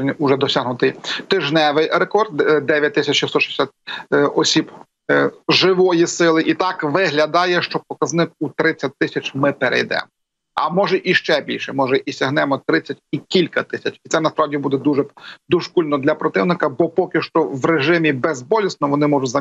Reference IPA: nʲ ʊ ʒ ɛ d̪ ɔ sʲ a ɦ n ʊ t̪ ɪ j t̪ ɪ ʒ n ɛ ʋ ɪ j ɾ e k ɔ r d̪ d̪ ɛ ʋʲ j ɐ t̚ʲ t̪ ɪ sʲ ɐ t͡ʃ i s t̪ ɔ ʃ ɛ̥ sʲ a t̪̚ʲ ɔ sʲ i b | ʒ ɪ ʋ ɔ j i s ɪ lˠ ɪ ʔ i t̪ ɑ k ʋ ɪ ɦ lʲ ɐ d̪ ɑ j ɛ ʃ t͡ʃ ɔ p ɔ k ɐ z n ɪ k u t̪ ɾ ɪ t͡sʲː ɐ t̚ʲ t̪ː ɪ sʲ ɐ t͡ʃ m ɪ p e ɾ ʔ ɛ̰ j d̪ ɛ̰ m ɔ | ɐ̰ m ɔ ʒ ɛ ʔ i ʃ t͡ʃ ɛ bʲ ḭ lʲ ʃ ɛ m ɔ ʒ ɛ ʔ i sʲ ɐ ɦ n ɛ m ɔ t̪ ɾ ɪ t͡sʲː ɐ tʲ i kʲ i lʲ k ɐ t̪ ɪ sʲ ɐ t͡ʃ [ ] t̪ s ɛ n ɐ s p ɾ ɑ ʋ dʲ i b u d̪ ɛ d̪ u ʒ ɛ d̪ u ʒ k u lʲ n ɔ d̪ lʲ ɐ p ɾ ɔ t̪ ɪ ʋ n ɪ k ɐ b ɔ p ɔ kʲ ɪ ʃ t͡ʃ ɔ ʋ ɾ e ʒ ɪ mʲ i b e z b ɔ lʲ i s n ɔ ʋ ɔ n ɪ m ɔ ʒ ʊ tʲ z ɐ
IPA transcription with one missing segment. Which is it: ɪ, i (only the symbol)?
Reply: i